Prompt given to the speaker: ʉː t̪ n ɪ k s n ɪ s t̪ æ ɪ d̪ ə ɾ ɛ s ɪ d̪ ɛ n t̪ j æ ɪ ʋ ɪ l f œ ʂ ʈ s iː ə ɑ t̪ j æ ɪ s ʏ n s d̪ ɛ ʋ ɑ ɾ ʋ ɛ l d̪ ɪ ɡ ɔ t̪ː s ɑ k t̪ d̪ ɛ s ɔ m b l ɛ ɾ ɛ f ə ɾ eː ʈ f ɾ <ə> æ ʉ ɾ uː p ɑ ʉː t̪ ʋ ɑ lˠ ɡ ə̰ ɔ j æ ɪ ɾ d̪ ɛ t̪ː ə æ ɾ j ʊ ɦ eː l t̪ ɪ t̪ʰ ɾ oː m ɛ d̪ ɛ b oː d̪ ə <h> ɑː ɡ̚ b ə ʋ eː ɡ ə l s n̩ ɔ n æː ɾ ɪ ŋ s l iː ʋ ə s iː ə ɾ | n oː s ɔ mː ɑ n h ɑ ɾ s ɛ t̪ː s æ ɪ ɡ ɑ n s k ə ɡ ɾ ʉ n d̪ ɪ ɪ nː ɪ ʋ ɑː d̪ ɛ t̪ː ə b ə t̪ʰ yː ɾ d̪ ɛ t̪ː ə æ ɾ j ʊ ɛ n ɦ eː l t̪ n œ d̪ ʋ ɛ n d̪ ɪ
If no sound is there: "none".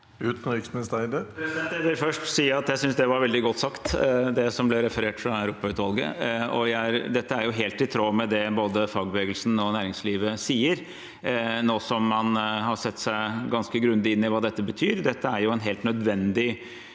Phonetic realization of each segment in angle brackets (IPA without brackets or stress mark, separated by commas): ɑ, f